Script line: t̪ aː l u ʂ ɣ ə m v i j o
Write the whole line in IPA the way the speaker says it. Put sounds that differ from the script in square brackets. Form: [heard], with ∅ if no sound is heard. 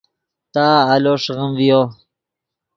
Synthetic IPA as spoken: t̪ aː l [o] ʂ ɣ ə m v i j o

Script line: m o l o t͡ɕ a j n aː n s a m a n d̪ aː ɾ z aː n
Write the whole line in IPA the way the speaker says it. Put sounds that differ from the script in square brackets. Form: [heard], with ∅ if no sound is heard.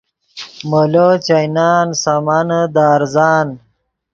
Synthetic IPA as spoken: m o l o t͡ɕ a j n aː n s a m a n d̪ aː ɾ z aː n

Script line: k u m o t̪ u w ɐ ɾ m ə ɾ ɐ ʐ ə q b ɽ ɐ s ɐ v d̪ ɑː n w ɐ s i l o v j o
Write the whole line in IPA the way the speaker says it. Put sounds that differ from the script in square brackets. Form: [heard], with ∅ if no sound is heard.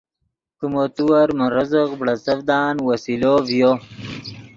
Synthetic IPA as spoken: k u m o t̪ u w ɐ ɾ m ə ɾ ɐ [z] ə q b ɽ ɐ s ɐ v d̪ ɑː n w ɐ s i l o v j o

